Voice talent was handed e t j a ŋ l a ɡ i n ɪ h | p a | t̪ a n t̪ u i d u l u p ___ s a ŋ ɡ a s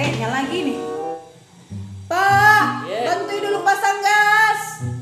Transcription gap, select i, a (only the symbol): a